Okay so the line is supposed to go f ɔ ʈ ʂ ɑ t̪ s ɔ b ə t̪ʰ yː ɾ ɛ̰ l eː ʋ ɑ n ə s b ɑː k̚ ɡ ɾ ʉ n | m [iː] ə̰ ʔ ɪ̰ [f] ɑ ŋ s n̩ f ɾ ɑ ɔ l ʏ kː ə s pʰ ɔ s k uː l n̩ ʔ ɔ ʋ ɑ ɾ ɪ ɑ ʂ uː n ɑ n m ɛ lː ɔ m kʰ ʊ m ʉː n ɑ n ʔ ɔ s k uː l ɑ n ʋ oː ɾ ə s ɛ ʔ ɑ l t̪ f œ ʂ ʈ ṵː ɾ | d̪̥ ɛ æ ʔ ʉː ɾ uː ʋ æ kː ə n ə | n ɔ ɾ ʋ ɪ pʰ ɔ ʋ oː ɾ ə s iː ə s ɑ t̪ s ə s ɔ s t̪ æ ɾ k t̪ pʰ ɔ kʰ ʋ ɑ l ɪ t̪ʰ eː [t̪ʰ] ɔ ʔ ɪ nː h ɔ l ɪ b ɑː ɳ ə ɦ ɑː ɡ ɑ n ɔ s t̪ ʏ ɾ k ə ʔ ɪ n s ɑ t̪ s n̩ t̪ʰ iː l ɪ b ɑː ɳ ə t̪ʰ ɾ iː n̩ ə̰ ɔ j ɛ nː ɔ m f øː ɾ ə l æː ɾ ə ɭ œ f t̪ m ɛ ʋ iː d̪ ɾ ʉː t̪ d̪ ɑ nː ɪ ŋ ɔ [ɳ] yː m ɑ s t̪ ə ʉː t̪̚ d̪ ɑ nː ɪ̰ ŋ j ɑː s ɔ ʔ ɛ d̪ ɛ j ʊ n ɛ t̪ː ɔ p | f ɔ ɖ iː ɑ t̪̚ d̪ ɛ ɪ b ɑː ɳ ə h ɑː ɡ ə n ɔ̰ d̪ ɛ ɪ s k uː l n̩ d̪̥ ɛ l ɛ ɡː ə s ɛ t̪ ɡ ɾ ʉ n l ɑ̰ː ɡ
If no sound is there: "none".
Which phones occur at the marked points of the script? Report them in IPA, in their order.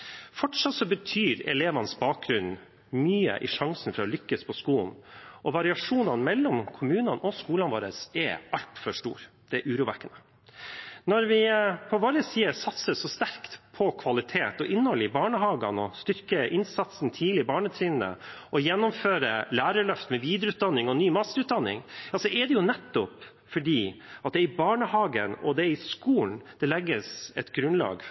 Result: yː, ʂ, t̪, n

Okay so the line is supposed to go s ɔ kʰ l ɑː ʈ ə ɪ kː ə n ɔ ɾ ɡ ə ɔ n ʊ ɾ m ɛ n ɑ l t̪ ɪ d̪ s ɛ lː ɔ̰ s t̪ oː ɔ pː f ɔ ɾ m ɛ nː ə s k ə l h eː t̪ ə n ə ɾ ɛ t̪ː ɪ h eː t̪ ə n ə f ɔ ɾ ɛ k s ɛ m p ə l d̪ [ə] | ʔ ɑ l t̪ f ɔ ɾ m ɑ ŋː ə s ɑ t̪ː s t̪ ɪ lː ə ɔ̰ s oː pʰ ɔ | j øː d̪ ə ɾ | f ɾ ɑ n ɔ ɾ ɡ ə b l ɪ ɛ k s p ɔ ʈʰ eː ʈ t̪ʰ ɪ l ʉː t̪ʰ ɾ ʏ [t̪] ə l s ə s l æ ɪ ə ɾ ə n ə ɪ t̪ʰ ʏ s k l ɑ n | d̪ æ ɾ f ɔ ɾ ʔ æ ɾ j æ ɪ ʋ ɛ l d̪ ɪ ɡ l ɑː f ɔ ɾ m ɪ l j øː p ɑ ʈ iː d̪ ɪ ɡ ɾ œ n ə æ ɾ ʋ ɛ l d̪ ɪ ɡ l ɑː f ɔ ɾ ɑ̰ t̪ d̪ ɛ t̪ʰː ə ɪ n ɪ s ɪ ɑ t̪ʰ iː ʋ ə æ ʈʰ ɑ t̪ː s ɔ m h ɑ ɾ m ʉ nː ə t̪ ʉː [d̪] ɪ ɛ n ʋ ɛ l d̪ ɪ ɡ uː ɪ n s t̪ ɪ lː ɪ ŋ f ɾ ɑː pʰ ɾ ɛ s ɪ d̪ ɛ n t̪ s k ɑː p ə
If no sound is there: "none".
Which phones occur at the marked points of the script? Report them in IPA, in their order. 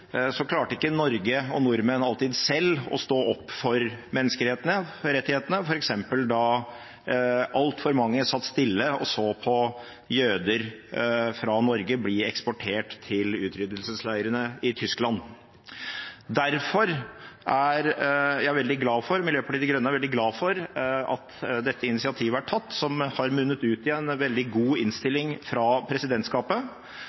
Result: ɑ, d̪, t̪

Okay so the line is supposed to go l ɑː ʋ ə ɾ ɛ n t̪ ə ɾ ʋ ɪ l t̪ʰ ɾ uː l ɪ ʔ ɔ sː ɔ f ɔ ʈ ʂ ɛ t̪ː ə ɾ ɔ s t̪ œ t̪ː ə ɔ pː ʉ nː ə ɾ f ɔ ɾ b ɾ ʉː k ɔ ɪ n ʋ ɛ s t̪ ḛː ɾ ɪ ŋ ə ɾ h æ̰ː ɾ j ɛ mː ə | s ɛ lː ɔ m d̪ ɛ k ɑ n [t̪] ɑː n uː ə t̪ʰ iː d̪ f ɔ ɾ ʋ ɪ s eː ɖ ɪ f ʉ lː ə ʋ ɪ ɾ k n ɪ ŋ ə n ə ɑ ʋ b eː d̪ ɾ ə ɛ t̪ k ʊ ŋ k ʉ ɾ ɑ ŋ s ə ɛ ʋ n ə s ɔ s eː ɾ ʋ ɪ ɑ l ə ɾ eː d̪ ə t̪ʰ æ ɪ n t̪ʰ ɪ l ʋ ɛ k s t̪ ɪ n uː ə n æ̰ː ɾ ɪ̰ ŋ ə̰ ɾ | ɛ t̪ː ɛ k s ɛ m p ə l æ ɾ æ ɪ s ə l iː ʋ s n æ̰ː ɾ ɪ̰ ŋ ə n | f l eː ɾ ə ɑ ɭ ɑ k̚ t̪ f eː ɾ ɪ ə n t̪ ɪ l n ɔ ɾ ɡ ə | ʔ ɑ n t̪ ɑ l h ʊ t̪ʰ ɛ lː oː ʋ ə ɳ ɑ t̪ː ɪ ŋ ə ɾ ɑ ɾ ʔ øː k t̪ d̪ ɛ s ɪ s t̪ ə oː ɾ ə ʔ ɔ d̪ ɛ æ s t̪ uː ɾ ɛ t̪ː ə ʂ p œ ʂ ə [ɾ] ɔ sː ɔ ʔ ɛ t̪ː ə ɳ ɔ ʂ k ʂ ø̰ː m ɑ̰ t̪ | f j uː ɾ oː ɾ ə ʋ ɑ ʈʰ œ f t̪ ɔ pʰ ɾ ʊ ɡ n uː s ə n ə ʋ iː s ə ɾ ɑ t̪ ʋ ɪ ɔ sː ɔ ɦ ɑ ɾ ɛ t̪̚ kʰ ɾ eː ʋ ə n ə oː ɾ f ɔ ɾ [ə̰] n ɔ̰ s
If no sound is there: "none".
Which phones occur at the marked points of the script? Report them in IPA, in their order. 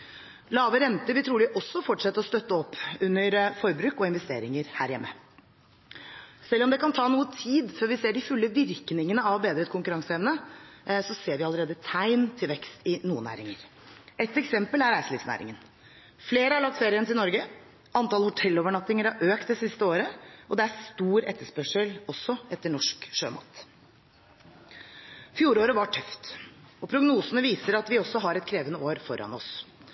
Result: t̪ʰ, l, ɑ̰

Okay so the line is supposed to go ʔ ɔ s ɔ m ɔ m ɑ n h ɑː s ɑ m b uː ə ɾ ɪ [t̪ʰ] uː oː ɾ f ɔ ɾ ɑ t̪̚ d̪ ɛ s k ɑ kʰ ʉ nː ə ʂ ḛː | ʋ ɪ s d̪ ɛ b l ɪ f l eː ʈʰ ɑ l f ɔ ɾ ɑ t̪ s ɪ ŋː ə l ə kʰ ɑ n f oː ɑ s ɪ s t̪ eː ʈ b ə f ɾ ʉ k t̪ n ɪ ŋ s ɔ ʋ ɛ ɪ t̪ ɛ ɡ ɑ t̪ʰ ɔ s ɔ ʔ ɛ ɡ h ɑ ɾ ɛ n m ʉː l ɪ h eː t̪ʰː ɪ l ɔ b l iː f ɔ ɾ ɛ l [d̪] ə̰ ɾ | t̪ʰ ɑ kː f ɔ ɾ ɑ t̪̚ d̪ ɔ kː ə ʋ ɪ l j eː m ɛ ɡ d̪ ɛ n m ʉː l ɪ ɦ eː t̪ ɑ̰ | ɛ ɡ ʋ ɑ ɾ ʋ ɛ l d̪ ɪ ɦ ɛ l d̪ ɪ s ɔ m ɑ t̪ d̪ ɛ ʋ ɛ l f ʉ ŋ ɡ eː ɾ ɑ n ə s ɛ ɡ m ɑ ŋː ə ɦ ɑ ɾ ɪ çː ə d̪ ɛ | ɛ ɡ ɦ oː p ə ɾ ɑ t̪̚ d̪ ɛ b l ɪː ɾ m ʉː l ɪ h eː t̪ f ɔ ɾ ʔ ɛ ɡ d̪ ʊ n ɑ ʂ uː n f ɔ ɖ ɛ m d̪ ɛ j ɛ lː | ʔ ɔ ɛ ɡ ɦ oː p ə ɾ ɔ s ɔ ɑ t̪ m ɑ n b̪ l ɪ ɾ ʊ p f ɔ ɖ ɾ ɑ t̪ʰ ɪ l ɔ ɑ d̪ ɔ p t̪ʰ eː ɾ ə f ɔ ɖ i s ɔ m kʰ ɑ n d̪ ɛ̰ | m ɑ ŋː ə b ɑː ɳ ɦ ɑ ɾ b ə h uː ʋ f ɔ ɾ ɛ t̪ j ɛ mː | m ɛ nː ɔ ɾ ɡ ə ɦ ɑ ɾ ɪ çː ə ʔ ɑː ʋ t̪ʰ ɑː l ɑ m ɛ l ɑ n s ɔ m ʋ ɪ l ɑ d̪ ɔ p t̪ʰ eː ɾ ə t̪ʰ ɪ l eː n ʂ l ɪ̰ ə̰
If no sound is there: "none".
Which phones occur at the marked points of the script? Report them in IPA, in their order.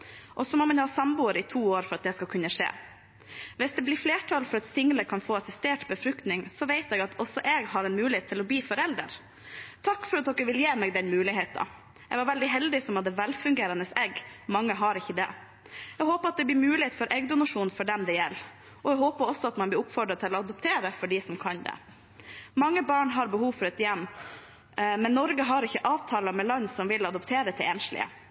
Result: t̪ʰ, d̪

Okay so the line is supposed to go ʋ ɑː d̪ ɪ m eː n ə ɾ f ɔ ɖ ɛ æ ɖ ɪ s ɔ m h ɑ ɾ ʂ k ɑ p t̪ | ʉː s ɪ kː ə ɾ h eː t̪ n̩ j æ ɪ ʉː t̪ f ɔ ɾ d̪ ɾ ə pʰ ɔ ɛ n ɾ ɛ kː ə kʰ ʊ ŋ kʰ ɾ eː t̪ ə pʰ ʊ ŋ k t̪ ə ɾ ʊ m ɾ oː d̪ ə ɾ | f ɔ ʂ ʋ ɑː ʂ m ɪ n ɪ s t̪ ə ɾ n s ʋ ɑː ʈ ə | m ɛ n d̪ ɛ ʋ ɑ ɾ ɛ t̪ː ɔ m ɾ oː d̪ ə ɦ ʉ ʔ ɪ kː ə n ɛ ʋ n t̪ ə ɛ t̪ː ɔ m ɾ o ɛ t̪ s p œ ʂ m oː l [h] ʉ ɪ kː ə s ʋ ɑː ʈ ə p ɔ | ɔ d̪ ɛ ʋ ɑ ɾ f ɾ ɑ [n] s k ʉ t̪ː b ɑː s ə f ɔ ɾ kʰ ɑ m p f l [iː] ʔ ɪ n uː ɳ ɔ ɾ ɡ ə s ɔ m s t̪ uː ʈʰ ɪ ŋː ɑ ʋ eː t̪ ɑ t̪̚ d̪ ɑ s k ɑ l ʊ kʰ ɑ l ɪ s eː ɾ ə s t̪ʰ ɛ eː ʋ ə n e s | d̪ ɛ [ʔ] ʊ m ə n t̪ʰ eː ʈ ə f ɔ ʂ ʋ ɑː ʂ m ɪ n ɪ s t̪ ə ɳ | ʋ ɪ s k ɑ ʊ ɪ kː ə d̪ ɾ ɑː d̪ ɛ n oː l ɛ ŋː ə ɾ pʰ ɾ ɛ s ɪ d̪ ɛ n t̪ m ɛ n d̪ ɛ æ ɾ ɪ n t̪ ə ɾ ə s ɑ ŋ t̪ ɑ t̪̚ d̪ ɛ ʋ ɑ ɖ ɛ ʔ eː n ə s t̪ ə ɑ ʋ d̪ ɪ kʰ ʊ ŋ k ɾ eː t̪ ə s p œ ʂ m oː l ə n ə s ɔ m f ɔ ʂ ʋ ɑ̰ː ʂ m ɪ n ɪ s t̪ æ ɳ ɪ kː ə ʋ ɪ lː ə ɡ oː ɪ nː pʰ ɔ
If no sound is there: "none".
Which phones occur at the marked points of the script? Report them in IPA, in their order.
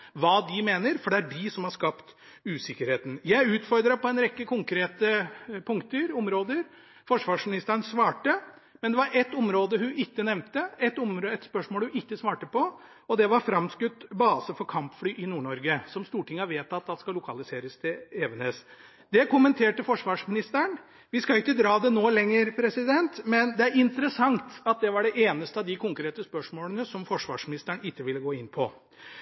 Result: h, m, yː, k

